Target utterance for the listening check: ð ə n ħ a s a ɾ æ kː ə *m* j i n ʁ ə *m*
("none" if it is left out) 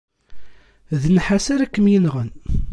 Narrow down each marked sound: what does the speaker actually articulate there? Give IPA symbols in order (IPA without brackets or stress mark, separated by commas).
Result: m, n